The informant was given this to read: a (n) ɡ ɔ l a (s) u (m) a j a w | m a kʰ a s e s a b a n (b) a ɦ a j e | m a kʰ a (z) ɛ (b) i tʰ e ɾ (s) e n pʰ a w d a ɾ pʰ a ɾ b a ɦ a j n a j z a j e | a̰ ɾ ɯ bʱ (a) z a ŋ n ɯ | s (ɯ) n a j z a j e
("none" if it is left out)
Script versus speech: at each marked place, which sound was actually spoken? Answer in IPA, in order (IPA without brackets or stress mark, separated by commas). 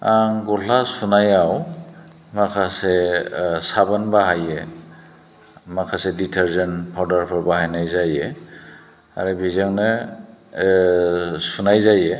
ŋ, s, n, b, s, d, z, i, u